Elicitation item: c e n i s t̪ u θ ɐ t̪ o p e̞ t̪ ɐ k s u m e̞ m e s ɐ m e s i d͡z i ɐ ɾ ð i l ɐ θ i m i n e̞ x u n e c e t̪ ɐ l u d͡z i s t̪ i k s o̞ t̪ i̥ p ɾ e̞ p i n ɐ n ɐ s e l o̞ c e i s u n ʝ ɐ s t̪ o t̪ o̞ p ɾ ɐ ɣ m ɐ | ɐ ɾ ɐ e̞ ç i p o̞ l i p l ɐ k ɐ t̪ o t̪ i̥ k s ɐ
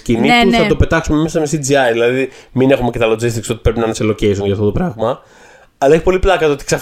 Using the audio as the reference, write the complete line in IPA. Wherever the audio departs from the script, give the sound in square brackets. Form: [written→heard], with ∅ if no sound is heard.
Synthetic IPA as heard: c [e→i] n i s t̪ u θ ɐ t̪ o p e̞ t̪ ɐ k s u m e̞ m e s ɐ m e s i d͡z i ɐ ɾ ð i l ɐ [θ→ð] i m i n e̞ x u [n→m] e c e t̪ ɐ l [u→o] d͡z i s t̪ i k s o̞ t̪ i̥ p ɾ e̞ p i n ɐ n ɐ s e l o̞ c e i s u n ʝ ɐ [s→f] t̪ o t̪ o̞ p ɾ ɐ ɣ m ɐ | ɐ [ɾ→l] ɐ e̞ ç i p o̞ l i p l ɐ k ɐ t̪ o t̪ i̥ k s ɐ